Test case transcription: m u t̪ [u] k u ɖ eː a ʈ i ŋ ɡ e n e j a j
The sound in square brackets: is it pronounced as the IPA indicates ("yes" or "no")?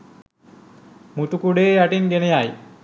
yes